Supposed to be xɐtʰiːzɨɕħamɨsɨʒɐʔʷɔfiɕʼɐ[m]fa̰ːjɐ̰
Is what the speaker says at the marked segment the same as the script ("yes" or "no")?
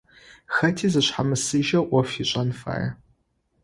no